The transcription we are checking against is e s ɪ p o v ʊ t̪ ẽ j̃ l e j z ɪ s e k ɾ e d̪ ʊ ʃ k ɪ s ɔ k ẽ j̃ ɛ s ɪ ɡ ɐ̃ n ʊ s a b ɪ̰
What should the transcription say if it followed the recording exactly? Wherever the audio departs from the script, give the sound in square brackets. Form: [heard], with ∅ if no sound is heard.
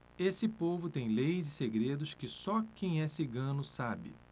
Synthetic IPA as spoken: e s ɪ p o v ʊ t̪ ẽ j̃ l e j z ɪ s e [ɡ] ɾ e d̪ ʊ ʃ k ɪ s ɔ k ẽ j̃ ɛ s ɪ ɡ ɐ̃ n ʊ s a b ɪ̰